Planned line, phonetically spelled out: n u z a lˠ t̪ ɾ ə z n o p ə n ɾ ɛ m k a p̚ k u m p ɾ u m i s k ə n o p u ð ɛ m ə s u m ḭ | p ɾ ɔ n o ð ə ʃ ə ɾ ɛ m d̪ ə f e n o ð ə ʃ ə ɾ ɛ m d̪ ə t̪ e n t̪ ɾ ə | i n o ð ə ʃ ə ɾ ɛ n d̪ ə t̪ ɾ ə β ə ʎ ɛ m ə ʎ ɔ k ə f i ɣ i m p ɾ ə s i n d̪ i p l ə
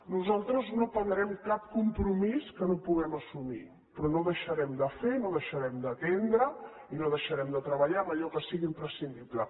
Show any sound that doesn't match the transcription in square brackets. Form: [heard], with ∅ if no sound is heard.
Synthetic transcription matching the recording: n u z a lˠ t̪ ɾ ə z n o p ə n ɾ ɛ m k a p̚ k u m p ɾ u m i s k ə n o p u [ɣ] ɛ m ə s u m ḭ | p ɾ ɔ n o ð ə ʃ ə ɾ ɛ m d̪ ə f e n o ð ə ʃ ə ɾ ɛ m d̪ ə t̪ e n [d̪] ɾ ə | i n o ð ə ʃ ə ɾ ɛ [m] d̪ ə t̪ ɾ ə β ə ʎ [a] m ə ʎ ɔ k ə [s] i ɣ i m p ɾ ə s i n d̪ i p l ə

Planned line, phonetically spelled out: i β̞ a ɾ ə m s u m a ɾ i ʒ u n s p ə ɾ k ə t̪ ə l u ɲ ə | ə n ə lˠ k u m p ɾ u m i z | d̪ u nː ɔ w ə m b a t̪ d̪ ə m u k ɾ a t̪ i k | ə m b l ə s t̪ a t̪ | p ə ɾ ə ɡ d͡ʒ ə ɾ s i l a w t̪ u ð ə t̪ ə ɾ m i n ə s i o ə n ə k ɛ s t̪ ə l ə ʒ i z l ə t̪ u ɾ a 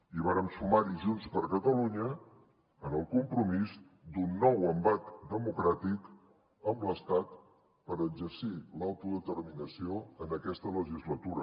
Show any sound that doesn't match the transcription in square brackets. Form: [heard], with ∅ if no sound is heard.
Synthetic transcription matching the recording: i β̞ a ɾ ə m s u m a ɾ i ʒ u n s p ə ɾ k ə t̪ ə l u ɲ ə | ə n ə lˠ k u m p ɾ u m i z | d̪ u nː ɔ w ə m b a t̪ d̪ ə m u k ɾ a t̪ i k | ə m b l ə s t̪ a t̪ | p ə ɾ ə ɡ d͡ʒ ə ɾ s i l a w t̪ u ð ə t̪ ə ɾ m i n ə s i o ə n ə k ɛ s t̪ ə l ə ʒ i z l ə t̪ u ɾ [ə]

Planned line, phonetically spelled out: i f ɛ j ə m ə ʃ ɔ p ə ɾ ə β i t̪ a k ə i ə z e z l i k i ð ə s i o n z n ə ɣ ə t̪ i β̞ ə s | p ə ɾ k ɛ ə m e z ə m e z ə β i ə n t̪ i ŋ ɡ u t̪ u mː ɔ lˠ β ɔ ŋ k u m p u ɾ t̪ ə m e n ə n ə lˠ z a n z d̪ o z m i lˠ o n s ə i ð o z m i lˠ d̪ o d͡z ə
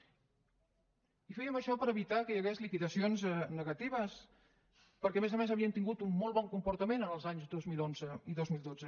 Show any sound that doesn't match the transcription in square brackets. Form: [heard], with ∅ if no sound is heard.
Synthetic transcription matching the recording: i f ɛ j ə m ə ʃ ɔ p ə ɾ ə β i t̪ a k ə [j] ə [ɣ] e z l i k i ð ə s i o n z n ə ɣ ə t̪ i β̞ ə s | p ə ɾ k ɛ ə m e z ə m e z ə β i ə n t̪ i ŋ ɡ u t̪ u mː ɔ lˠ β ɔ ŋ k u m p u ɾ t̪ ə m e n ə n ə lˠ z a [ɲ] z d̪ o z m i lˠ o n [z] ə i ð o z m i lˠ d̪ o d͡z ə

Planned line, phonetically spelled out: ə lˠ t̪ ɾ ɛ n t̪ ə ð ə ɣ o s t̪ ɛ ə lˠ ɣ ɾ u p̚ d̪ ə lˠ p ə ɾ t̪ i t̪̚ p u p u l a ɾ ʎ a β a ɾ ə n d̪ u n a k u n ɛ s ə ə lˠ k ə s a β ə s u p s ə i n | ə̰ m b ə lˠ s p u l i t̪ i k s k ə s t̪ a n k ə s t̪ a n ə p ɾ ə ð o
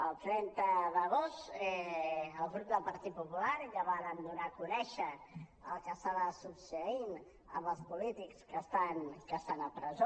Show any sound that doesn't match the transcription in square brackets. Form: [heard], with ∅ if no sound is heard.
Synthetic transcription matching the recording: ə lˠ t̪ ɾ ɛ n t̪ ə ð ə ɣ o s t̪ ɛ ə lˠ ɣ ɾ u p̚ d̪ ə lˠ p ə ɾ t̪ i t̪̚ p u p u l a ɾ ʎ a β a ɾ ə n d̪ u n a k u n ɛ [ʃ] ə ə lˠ k ə s a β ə s u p s ə i n | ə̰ m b ə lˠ s p u l i t̪ i k s k ə s t̪ a n k ə s t̪ a n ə p ɾ ə [z] o

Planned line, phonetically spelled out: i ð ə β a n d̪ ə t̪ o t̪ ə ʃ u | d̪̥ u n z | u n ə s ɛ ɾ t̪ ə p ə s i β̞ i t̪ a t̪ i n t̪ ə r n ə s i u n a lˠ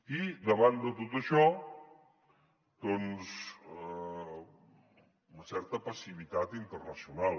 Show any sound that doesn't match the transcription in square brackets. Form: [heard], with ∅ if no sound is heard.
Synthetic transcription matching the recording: i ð ə β a n d̪ ə t̪ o t̪ ə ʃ [ɔ] | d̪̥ [ɔ] n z | u n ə s ɛ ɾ t̪ ə p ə s i β̞ i t̪ a t̪ i n t̪ ə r n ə s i u n a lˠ

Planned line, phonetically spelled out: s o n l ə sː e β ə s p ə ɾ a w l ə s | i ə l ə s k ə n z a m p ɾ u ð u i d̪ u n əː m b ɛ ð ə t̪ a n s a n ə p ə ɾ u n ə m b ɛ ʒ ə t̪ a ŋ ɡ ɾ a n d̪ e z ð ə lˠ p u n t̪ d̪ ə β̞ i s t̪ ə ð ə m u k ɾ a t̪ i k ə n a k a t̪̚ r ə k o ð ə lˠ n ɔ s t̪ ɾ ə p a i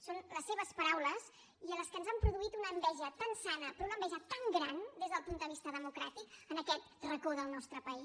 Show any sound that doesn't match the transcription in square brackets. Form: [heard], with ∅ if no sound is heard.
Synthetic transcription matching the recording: s o n l ə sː e β ə s p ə ɾ a w l ə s | i ə l ə s k ə n z a m p ɾ u ð u i [t̪] u n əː m b ɛ [ʒ] ə t̪ a n s a n ə p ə ɾ u n ə m b ɛ ʒ ə t̪ a ŋ ɡ ɾ a n d̪ e z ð ə lˠ p u n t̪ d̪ ə β̞ i s t̪ ə ð ə m u k ɾ a t̪ i k ə n [ə] k [ɛ] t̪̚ r ə k o ð ə lˠ n ɔ s t̪ ɾ ə p [ə] i

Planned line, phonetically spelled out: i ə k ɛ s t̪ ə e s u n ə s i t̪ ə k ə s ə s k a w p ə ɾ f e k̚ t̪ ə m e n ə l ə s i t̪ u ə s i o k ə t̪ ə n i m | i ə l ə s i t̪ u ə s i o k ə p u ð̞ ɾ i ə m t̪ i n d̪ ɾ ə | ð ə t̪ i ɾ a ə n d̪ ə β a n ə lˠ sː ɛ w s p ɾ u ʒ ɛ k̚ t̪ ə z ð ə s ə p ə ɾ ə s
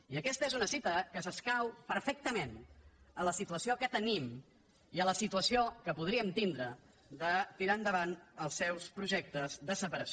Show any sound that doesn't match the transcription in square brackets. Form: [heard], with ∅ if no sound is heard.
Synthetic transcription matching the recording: i ə k ɛ s t̪ ə e [z] u n ə s i t̪ ə k ə s ə s k a w p ə ɾ f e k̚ t̪ ə m e n ə l ə s i t̪ u ə s i o k ə t̪ ə n i m | i ə l ə s i t̪ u ə s i o k ə p u ð̞ ɾ i ə m t̪ i n d̪ ɾ ə | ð ə t̪ i ɾ a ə n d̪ ə β a n ə lˠ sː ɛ w s p ɾ u ʒ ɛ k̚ t̪ ə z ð ə s ə p ə ɾ ə s

